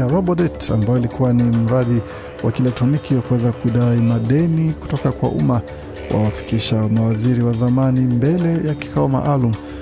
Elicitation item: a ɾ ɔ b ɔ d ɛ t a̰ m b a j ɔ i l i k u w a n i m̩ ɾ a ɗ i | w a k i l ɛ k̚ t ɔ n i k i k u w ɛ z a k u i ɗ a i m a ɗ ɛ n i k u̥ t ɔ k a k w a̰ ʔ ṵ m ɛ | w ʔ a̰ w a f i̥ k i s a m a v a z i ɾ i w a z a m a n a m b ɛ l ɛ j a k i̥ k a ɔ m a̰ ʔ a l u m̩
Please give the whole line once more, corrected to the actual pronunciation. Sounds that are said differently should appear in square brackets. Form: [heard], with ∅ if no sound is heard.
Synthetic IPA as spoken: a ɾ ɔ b ɔ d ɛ t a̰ m b a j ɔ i l i k u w a n i m̩ ɾ a ɗ i | w a k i l ɛ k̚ t ɔ n i k i k u w ɛ z a k u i ɗ a i m a ɗ ɛ n i k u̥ t ɔ k a k w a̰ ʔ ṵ m [a] | w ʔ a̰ w a f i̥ k i [ʃ] a m a [w] a z i ɾ i w a z a m a n [i] m b ɛ l ɛ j a k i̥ k a ɔ m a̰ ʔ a l u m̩